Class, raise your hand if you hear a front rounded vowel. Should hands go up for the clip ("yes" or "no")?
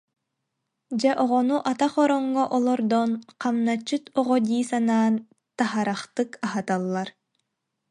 no